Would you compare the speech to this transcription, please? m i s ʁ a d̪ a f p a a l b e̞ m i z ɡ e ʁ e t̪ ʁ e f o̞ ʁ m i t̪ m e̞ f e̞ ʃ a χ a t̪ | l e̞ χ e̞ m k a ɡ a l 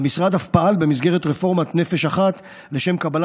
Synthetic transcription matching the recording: m i s ʁ a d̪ a f p a a l b e̞ m i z ɡ e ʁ e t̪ ʁ e f o̞ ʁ m a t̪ n e̞ f e̞ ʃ a χ a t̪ | l e̞ ʃ e̞ m k a b a l